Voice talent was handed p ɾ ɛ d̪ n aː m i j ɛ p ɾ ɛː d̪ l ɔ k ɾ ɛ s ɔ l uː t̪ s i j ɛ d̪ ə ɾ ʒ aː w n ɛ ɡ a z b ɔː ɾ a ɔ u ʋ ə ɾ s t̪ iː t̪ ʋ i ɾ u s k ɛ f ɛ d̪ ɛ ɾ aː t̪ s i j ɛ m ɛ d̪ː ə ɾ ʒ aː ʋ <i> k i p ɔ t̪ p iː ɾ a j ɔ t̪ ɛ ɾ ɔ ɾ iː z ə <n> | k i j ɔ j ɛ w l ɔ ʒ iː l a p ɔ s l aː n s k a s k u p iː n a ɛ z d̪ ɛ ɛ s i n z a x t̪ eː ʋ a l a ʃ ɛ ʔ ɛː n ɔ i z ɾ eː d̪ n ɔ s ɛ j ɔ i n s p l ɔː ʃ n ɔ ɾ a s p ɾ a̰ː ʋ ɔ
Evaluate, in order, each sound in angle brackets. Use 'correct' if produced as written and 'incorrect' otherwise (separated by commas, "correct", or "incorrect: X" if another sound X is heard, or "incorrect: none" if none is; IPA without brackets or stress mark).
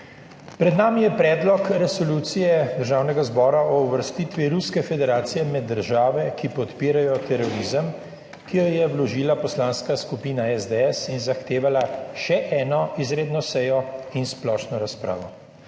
incorrect: ɛ, incorrect: m